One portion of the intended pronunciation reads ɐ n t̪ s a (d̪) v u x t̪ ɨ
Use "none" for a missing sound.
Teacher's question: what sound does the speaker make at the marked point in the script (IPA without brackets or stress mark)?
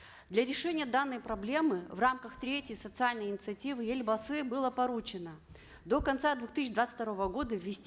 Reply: d̪